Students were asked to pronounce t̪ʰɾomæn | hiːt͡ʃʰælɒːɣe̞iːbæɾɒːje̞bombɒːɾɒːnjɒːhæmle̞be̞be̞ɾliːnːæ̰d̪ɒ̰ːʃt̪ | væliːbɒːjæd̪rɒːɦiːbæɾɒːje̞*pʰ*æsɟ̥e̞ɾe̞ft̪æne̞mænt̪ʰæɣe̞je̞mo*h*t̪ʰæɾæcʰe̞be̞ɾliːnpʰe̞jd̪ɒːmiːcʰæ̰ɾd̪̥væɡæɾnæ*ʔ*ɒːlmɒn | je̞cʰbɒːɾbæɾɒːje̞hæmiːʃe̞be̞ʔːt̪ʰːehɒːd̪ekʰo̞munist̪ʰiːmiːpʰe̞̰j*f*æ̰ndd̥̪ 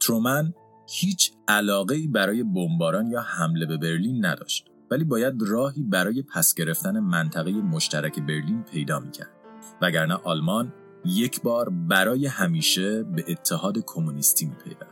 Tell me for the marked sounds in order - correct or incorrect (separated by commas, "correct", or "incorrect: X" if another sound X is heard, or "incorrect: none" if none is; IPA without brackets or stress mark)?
correct, incorrect: ʃ, correct, incorrect: v